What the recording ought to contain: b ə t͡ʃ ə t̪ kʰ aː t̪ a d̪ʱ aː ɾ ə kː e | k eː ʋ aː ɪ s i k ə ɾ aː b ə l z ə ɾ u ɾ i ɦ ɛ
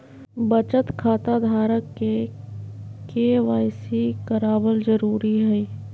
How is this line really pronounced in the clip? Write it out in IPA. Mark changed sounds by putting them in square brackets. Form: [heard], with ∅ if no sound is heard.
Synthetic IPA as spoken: b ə t͡ʃ ə t̪ kʰ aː t̪ a d̪ʱ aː ɾ ə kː e | k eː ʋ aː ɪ s i k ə ɾ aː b ə l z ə ɾ [uː] ɾ i ɦ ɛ